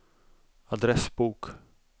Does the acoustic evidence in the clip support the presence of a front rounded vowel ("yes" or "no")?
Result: no